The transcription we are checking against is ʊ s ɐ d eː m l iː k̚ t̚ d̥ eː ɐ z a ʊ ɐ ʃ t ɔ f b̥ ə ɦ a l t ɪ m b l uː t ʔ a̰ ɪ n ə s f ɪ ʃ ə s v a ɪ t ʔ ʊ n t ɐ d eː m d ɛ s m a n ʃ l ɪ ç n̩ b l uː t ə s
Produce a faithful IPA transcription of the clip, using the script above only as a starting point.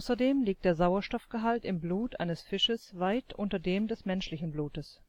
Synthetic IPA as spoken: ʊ s ɐ d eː m l iː k̚ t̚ d̥ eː ɐ z a ʊ ɐ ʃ t ɔ f ɡ̥ ə ɦ a l t ɪ m b l uː t ʔ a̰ ɪ n ə s f ɪ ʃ ə s v a ɪ t ʔ ʊ n t ɐ d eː m d ɛ s m ɛ n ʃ l ɪ ç n̩ b l uː t ə s